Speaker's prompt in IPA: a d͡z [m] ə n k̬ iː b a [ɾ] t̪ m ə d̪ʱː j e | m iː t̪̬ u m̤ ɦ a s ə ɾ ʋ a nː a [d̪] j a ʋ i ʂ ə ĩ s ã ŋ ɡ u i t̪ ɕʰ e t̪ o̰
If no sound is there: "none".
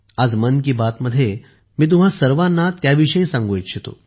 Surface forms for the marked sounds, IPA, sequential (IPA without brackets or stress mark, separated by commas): m, none, t̪